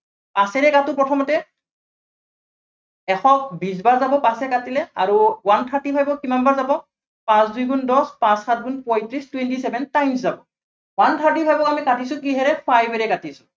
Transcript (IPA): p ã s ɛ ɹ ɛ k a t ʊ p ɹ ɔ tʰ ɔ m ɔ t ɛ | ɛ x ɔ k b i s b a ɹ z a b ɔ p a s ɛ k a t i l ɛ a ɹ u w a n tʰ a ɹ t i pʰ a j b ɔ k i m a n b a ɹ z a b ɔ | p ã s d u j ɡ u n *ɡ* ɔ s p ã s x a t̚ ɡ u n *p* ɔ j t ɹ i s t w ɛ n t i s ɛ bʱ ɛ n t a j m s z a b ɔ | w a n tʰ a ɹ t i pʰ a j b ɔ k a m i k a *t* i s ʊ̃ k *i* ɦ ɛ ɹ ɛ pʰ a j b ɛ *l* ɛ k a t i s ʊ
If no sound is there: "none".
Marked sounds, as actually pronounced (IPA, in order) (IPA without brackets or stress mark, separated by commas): d, p, t, i, ɹ